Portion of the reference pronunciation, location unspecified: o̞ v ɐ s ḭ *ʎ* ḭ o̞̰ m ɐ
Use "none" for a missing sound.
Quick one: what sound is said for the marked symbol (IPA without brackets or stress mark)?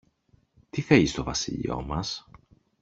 ʎ